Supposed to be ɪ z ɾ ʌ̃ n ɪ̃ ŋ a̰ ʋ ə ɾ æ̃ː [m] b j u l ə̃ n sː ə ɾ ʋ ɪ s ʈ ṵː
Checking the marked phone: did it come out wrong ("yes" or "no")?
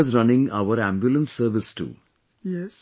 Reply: no